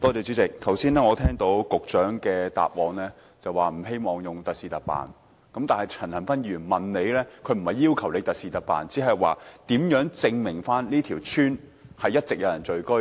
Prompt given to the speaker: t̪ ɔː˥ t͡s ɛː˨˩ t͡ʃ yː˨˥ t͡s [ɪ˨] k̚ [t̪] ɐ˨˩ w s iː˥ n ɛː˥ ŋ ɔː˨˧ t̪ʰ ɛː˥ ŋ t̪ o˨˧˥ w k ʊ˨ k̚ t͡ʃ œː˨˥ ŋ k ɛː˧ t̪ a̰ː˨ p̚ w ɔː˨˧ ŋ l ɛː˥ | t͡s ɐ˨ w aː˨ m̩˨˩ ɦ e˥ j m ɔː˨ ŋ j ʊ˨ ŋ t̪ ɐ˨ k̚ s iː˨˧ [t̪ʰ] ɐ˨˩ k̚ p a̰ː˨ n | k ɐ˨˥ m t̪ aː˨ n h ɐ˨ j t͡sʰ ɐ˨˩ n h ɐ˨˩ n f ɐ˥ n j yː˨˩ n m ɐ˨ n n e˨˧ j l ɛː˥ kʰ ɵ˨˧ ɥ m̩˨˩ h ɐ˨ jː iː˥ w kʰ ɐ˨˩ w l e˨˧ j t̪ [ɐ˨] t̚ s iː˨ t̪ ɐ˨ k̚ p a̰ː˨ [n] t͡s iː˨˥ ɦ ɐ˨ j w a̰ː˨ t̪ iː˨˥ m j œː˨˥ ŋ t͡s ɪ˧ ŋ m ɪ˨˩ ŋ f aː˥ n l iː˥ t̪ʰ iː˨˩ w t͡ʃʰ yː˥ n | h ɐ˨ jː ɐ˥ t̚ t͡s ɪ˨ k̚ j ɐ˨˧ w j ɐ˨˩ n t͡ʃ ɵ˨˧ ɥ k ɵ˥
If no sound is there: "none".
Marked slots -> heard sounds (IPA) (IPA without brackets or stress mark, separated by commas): ɪ˨, t̪ʰ, t̪, ɐ˨, n